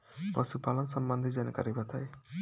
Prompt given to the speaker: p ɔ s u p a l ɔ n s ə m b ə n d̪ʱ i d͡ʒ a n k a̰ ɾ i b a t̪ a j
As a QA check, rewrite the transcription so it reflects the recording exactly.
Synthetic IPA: p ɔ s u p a l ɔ n s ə m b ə n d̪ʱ i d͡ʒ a n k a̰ ɾ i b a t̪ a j